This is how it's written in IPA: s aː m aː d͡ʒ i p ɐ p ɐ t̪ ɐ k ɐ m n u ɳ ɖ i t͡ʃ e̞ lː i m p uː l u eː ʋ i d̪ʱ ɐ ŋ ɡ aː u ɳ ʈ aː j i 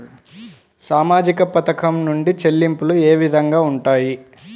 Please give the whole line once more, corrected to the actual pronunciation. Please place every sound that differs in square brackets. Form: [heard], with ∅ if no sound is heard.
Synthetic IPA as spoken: s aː m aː d͡ʒ i [k] ɐ p ɐ t̪ ɐ k ɐ m n u ɳ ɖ i t͡ʃ e̞ lː i m p [u] l u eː ʋ i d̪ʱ ɐ ŋ ɡ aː u ɳ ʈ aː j i